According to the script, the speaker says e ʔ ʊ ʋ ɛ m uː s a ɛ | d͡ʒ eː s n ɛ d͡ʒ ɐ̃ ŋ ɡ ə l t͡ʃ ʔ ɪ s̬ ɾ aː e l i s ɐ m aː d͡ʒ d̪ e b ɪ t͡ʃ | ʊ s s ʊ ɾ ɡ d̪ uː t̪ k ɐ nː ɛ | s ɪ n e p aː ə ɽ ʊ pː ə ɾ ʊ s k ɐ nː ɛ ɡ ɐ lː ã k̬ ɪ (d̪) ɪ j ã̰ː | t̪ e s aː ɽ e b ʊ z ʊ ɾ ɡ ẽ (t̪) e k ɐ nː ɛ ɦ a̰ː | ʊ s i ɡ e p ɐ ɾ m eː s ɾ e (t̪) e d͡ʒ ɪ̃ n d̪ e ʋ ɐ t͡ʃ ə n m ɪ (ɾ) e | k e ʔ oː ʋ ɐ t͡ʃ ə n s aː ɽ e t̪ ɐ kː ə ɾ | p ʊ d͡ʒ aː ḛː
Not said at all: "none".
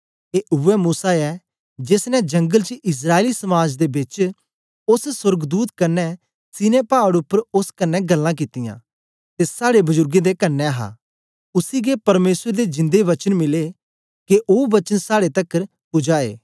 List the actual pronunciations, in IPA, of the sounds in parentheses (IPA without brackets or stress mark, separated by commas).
t̪, d̪, d̪, l